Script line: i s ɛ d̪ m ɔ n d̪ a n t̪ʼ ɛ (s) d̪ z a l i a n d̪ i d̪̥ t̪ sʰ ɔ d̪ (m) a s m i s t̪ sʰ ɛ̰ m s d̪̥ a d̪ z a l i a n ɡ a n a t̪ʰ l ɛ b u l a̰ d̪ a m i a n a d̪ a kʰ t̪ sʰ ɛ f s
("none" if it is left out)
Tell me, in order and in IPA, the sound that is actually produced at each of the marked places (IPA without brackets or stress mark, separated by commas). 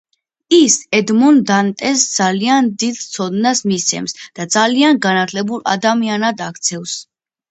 s, n